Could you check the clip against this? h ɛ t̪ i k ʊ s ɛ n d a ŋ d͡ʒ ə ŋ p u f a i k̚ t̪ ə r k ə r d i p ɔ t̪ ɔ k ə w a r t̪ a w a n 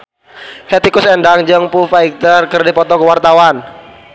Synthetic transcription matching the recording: h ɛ t̪ i k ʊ s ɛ n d a ŋ d͡ʒ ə ŋ p u f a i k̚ t̪ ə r k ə r d i p ɔ t̪ ɔ k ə w a r t̪ a w a n